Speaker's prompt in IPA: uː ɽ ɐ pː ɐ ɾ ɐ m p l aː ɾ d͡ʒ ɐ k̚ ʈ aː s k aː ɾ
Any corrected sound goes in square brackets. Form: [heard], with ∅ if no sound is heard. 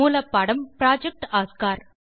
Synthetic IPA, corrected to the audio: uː [l] ɐ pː ɐ [ɽ] ɐ m p [ɾ] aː [∅] d͡ʒ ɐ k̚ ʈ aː s k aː ɾ